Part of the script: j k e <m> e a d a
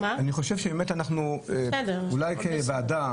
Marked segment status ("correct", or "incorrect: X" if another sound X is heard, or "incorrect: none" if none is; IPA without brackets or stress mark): incorrect: b